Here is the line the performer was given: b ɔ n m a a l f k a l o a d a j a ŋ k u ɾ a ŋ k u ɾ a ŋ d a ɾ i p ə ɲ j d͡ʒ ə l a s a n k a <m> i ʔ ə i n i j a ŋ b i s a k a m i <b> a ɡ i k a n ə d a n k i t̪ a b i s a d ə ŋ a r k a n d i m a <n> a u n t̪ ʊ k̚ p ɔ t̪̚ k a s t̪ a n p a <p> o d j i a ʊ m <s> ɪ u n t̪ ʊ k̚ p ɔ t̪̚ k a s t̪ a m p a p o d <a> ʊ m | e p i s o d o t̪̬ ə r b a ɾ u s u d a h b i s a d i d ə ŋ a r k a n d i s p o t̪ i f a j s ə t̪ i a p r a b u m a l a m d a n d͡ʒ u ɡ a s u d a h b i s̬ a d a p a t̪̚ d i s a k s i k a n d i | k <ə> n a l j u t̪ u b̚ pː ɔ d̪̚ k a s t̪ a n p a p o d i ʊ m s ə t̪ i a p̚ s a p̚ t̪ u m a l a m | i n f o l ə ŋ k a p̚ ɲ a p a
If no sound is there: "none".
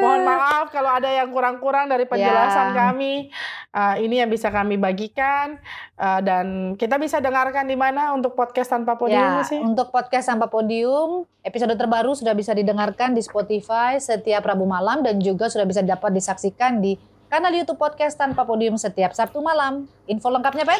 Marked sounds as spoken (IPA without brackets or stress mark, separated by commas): m, b, n, p, s, i, a